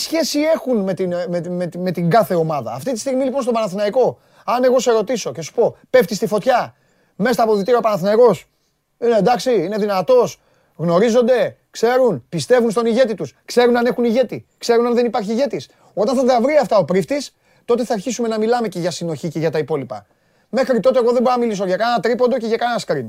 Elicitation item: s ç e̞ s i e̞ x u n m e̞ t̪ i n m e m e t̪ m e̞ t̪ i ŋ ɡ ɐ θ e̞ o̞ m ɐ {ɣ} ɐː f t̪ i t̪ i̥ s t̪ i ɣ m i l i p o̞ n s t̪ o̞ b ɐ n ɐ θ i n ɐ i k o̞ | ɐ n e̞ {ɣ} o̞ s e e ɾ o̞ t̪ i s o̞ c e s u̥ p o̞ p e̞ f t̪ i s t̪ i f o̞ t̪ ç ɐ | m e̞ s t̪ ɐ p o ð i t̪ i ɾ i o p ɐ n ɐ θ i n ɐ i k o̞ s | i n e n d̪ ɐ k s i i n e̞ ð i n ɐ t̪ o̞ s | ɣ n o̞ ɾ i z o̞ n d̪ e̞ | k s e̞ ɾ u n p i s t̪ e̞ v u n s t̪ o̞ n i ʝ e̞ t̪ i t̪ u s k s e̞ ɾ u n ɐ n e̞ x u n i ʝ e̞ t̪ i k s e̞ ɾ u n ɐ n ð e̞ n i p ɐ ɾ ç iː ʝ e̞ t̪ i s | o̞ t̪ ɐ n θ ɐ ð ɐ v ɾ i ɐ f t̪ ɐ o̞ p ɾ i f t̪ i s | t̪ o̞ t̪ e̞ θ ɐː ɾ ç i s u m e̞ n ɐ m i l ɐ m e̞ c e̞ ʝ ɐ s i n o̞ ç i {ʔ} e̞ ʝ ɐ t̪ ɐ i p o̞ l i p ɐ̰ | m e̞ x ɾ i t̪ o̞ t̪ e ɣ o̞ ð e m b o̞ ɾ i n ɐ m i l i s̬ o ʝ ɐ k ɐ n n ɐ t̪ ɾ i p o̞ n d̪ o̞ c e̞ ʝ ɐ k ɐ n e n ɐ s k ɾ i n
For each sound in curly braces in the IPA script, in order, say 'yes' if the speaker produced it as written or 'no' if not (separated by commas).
no, yes, no